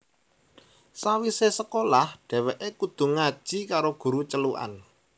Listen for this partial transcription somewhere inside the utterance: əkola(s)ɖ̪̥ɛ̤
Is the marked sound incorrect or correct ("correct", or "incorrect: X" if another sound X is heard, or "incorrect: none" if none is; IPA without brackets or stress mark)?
incorrect: h